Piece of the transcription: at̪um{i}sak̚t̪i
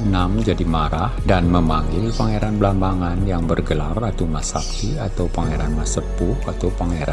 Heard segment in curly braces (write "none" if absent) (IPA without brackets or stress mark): a